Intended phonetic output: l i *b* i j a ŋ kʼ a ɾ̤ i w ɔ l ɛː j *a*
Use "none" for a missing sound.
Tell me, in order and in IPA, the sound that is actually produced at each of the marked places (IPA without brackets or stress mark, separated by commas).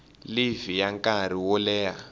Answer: v, a